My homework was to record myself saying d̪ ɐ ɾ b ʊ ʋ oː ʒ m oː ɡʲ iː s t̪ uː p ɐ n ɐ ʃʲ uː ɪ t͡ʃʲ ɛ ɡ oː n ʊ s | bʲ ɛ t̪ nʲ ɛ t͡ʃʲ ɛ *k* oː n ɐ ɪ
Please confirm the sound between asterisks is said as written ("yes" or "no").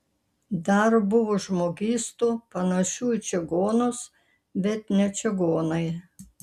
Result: no